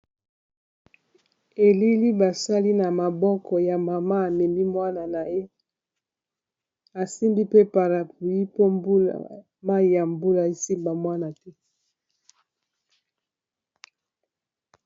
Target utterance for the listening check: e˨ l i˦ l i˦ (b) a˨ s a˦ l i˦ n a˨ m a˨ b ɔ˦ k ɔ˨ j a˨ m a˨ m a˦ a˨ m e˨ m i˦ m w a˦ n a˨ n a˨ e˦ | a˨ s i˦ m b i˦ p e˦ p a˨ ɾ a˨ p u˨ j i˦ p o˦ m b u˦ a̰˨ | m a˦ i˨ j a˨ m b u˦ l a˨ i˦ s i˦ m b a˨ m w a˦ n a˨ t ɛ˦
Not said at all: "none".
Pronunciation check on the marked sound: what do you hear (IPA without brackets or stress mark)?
b